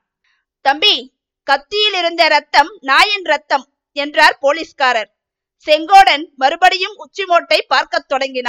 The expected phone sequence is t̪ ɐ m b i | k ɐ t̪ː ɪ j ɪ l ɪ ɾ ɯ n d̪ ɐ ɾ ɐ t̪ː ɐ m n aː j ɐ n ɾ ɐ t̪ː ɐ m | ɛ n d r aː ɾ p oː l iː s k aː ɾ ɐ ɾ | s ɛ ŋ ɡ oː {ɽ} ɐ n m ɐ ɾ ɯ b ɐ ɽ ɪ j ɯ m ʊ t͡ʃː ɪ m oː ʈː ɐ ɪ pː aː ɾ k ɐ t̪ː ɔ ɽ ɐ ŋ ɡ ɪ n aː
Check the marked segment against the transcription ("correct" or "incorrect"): correct